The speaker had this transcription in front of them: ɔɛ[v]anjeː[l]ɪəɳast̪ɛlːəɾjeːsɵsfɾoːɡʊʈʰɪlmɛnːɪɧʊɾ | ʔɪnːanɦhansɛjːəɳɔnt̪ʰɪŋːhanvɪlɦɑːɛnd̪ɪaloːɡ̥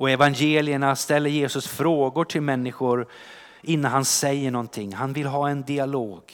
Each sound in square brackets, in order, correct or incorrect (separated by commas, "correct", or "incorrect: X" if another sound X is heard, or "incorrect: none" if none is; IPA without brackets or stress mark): correct, correct